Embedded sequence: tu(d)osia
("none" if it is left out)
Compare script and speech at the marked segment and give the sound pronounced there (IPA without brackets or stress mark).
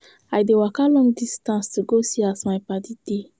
ɡ